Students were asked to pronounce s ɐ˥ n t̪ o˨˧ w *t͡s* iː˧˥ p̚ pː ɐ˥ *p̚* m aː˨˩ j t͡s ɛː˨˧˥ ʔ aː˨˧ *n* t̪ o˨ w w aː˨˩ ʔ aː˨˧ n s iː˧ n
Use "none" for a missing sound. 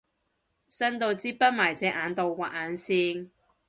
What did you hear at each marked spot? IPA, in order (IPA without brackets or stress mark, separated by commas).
t͡s, t̚, n